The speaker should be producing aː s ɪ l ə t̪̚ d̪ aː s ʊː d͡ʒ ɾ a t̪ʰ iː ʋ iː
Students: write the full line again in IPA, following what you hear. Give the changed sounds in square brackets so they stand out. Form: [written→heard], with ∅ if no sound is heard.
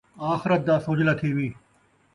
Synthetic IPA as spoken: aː [s→x] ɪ [l→ɾ] ə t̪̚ d̪ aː s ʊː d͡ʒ [ɾ→l] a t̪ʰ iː ʋ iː